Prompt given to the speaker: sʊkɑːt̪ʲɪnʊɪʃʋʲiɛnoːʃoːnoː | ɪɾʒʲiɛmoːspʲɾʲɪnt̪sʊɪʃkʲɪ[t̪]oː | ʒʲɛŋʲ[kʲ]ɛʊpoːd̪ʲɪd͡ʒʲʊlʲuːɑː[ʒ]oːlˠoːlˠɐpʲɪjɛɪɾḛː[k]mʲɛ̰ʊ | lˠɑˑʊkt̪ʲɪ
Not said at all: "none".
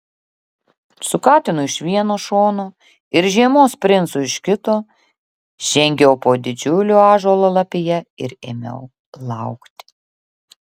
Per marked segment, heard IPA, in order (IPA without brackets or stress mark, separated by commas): t̪, ɡʲ, ʒ, none